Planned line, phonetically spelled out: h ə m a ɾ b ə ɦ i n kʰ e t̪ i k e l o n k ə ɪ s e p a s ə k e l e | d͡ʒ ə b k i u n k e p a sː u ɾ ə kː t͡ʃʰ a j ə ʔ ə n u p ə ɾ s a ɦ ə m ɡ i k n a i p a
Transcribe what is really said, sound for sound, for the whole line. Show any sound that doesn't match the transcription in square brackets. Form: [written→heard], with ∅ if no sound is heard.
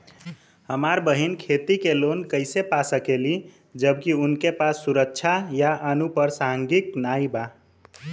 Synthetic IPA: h ə m a ɾ b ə ɦ i n kʰ e t̪ i k e l o n k ə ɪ s e p a s ə k e l [e→i] | d͡ʒ ə b k i u n k e p a sː u ɾ ə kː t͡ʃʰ a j [ə→a] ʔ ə n u p ə ɾ s a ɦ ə [m→ŋ] ɡ i k n a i [p→b] a

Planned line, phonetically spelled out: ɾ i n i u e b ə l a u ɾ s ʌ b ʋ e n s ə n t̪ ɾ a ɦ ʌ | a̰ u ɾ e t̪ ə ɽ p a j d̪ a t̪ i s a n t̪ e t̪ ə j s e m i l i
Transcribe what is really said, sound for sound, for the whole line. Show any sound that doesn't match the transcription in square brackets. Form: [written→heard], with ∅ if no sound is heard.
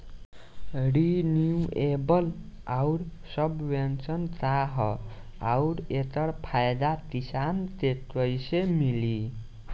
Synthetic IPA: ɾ i n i u e b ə l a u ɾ s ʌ b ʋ e n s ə n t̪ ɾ a ɦ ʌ | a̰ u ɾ e t̪ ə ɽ [p→pʰ] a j d̪ a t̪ i s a n t̪ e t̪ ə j s e m i l i

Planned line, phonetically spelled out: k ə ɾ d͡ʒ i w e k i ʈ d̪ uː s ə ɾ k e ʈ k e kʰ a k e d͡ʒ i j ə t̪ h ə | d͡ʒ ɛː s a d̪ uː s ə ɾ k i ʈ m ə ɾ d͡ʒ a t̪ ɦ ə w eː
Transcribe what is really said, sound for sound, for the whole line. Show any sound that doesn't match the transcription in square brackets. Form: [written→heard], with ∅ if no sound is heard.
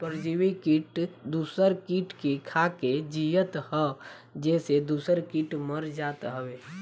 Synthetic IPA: [k→p] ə ɾ d͡ʒ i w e k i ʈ d̪ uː s ə ɾ k [e→i] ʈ k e kʰ a k e d͡ʒ i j ə t̪ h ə | d͡ʒ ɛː s [a→e] d̪ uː s ə ɾ k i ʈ m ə ɾ d͡ʒ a t̪ ɦ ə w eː

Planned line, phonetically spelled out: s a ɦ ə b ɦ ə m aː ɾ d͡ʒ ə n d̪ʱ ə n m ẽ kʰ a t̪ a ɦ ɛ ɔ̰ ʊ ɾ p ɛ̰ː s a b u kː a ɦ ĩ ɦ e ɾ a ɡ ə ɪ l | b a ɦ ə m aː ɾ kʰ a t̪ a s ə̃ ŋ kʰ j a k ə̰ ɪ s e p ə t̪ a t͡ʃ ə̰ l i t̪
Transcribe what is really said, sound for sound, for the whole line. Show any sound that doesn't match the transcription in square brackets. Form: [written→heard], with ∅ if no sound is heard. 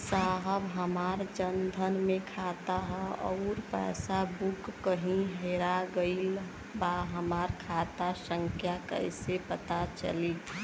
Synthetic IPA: s a ɦ ə b ɦ ə m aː ɾ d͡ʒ ə n d̪ʱ ə n m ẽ kʰ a t̪ a ɦ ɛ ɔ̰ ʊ ɾ p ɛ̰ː s a b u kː [a→ə] ɦ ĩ ɦ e ɾ a ɡ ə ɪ l | b a ɦ ə m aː ɾ kʰ a t̪ a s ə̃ ŋ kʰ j a k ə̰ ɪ s e p ə t̪ a t͡ʃ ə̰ l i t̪

